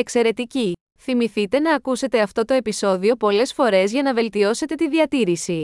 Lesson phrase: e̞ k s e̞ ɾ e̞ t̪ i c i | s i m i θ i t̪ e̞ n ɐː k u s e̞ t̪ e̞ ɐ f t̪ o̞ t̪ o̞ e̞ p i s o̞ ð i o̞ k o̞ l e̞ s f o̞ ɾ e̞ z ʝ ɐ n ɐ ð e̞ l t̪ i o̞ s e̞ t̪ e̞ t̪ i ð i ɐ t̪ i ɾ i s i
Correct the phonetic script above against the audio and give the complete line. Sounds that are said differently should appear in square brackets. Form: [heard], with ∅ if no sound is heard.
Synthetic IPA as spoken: e̞ k s e̞ ɾ e̞ t̪ i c i | [θ] i m i θ i t̪ e̞ n ɐː k u s e̞ t̪ e̞ ɐ f t̪ o̞ t̪ o̞ e̞ p i s o̞ ð i o̞ [p] o̞ l e̞ s f o̞ ɾ e̞ z ʝ ɐ n ɐ [v] e̞ l t̪ i o̞ s e̞ t̪ e̞ t̪ i ð i ɐ t̪ i ɾ i s i